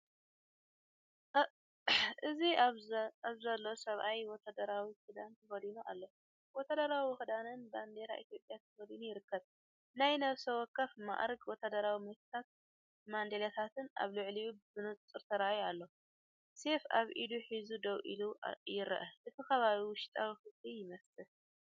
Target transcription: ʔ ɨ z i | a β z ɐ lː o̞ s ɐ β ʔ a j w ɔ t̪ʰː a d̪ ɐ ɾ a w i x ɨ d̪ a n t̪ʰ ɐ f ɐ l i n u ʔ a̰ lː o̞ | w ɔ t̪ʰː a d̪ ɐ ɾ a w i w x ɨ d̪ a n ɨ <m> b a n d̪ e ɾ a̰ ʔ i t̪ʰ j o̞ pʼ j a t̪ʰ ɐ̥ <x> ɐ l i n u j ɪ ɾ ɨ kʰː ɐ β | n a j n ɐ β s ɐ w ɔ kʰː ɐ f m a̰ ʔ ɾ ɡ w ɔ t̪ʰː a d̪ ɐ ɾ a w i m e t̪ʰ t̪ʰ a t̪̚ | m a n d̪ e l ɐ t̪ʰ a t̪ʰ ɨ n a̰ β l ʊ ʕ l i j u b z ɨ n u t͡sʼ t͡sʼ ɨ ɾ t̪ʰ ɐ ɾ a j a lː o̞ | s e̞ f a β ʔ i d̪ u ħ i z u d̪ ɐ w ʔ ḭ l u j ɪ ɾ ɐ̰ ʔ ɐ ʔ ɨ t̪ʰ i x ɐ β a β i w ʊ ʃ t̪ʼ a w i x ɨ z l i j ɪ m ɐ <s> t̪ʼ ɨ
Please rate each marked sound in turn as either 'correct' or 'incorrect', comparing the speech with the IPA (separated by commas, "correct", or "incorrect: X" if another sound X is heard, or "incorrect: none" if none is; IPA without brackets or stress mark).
incorrect: n, incorrect: f, correct